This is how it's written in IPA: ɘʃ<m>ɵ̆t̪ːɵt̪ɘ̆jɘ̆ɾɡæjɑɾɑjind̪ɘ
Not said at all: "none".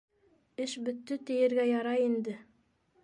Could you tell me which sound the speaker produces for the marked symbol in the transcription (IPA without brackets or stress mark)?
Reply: b